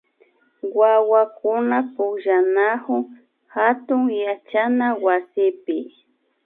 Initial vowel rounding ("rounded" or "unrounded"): unrounded